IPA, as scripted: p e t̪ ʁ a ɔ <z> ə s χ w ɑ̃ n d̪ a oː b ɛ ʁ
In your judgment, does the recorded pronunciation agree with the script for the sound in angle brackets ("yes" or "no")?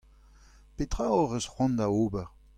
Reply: no